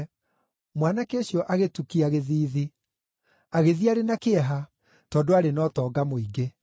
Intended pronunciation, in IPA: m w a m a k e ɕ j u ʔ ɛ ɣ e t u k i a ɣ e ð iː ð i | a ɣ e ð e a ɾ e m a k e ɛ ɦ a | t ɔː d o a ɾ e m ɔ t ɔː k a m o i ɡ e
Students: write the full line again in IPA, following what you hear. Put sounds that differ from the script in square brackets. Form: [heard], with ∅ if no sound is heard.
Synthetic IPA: m w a [n] a k e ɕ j [ɔ] ʔ [a] ɣ e t u k i a ɣ e ð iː ð i | a ɣ e ð [i] a ɾ e [n] a k e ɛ ɦ a | t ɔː d o a ɾ e [n] ɔ t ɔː [ɡ] a m o i ɡ e